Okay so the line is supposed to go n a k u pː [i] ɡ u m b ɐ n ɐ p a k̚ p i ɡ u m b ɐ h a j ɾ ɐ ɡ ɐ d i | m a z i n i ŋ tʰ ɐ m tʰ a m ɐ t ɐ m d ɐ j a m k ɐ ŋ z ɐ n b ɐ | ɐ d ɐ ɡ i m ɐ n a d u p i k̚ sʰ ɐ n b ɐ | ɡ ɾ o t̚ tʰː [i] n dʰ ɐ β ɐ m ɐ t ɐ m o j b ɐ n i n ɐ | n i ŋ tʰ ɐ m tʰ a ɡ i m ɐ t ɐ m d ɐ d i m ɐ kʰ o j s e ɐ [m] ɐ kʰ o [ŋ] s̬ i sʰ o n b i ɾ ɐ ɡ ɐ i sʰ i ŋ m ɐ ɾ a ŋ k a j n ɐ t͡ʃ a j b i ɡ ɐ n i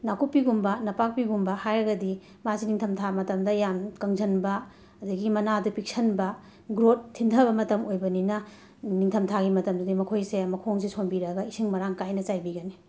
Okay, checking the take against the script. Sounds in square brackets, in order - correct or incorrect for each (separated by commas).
correct, correct, correct, correct